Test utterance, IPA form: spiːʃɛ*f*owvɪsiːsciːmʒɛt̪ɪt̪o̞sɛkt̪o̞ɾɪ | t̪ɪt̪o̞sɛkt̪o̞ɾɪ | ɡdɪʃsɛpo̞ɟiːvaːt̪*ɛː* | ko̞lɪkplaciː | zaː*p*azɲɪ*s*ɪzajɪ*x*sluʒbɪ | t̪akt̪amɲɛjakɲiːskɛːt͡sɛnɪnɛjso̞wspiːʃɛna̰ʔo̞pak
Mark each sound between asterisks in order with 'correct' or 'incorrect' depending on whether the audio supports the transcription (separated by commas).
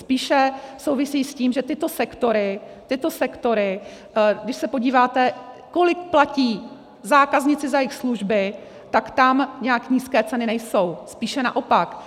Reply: incorrect, incorrect, incorrect, incorrect, correct